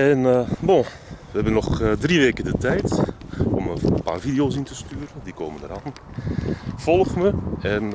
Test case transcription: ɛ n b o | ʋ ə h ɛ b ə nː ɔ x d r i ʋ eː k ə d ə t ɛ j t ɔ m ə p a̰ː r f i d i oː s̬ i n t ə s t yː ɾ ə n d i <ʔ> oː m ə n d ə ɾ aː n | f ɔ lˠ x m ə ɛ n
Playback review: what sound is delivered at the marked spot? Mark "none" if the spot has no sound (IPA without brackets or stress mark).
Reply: k